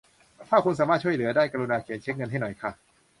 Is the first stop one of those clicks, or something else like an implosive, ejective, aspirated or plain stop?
aspirated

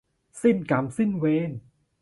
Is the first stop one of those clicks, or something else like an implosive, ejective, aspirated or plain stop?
plain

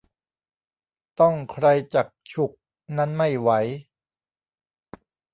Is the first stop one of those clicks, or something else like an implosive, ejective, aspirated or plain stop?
plain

